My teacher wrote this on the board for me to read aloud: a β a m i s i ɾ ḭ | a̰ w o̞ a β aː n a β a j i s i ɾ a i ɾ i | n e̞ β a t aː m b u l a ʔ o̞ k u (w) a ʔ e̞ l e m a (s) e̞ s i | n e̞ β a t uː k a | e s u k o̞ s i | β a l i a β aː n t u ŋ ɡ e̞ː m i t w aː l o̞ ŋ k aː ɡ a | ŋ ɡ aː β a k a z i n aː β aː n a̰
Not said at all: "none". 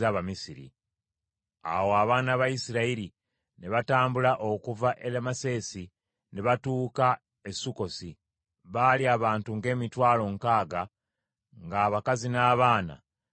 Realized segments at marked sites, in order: v, s

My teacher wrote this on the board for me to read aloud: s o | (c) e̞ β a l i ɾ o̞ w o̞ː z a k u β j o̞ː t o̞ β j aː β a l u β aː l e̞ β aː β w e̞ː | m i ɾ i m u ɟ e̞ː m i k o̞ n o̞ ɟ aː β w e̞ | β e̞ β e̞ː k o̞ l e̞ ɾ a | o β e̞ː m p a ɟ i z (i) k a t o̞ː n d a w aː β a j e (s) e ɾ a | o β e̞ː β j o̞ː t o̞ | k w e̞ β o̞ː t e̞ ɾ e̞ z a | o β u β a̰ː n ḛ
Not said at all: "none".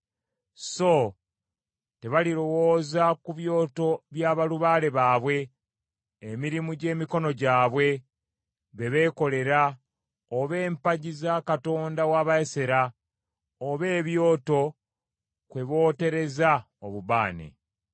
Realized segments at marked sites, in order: t, a, s

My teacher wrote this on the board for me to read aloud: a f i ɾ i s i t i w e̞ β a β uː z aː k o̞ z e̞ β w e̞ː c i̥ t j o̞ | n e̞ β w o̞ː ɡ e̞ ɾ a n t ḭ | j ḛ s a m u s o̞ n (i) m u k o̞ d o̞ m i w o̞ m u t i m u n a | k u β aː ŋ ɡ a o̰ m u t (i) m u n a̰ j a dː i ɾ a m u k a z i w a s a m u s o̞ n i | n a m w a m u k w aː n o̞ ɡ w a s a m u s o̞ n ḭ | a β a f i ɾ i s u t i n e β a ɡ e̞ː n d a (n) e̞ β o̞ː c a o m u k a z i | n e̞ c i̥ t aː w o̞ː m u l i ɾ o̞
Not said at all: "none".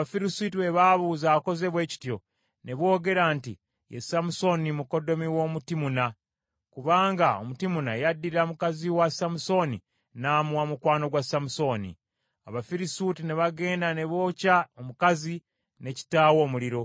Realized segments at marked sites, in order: i, i, n

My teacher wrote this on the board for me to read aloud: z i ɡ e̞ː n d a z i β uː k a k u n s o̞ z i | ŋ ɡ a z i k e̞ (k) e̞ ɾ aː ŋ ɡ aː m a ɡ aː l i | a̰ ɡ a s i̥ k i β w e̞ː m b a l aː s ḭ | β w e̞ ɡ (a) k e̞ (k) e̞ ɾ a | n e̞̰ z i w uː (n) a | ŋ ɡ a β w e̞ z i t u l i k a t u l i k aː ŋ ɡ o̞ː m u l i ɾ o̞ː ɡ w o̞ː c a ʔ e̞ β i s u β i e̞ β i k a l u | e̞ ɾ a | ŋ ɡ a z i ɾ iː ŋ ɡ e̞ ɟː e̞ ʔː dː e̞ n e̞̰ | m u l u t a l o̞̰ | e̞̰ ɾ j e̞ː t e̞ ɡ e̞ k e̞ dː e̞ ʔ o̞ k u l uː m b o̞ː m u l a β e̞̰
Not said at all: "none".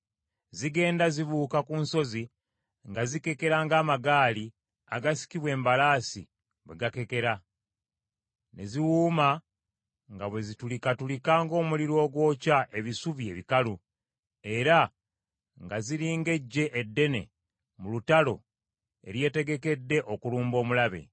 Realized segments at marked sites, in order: k, a, k, m

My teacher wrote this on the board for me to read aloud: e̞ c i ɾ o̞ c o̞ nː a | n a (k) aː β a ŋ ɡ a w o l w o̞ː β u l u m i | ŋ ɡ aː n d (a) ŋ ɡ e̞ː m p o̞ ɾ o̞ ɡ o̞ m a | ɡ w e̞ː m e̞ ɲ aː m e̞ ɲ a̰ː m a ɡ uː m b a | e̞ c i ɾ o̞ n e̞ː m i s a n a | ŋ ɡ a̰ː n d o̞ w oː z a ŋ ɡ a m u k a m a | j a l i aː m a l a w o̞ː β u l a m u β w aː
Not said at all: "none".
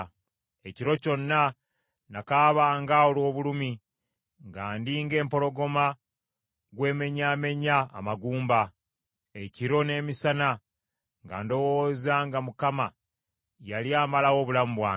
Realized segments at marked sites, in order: k, i

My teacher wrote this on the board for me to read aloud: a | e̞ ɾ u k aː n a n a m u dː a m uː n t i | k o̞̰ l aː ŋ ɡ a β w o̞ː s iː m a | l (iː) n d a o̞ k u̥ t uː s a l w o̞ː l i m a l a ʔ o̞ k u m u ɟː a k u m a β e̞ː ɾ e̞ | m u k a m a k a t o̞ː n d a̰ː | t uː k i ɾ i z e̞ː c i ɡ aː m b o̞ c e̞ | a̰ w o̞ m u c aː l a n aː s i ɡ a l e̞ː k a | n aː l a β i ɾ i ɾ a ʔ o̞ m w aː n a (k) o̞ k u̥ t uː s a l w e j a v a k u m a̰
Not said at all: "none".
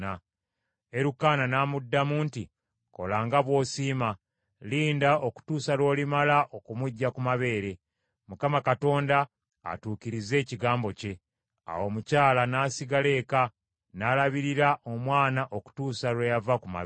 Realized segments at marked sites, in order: iː, ʔ

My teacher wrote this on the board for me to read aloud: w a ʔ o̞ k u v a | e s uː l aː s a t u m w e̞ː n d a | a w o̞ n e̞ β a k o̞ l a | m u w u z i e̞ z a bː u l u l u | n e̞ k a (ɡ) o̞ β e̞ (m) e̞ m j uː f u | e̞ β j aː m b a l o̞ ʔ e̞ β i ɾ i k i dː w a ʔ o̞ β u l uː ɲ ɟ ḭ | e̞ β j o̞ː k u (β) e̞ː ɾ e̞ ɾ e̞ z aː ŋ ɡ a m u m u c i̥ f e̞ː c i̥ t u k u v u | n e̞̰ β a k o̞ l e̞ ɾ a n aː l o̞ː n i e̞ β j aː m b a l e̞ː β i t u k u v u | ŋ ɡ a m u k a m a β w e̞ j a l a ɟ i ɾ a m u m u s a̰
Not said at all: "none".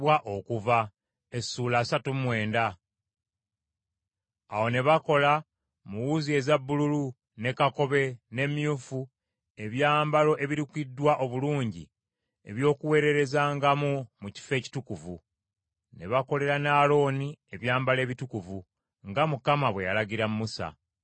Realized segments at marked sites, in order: k, n, w

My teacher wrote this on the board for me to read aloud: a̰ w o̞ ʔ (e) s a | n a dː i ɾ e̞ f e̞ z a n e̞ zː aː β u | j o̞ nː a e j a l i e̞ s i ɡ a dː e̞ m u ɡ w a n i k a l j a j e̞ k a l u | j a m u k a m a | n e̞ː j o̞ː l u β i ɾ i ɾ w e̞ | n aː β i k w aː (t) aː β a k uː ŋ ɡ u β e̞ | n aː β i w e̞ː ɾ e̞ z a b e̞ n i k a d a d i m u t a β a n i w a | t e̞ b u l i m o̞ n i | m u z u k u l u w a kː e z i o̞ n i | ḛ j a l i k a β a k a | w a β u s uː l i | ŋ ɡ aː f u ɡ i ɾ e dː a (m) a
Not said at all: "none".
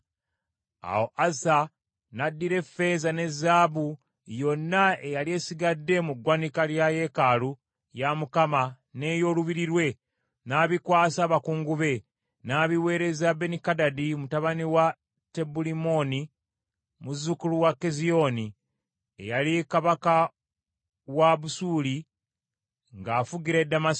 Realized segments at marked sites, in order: a, s, m

